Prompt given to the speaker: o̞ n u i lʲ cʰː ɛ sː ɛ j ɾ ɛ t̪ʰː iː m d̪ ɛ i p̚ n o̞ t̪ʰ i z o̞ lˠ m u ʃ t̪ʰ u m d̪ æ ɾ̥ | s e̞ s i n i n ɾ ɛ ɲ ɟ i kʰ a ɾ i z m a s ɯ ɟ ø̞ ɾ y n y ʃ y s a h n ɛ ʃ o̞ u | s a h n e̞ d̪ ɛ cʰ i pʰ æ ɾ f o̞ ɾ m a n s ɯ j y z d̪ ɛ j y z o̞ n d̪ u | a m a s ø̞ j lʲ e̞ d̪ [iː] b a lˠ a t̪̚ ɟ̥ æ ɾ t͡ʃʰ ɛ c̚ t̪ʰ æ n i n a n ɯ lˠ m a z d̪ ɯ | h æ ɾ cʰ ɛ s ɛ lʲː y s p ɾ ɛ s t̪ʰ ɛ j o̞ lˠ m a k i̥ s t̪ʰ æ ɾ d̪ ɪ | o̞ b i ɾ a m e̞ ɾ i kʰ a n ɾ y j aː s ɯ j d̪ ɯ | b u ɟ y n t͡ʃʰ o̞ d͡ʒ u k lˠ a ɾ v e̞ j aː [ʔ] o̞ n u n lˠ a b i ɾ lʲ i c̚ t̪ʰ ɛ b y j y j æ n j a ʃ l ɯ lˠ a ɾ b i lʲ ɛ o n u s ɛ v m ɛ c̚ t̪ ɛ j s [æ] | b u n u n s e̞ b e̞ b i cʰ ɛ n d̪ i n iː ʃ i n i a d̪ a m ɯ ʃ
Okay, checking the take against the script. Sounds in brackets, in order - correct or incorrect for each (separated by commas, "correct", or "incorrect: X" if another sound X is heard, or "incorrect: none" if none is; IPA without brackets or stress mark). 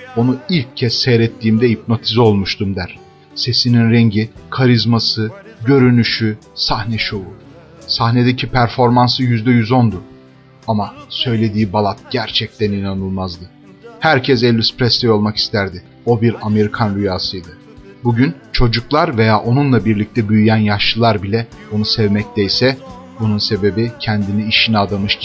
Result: correct, correct, incorrect: ɛ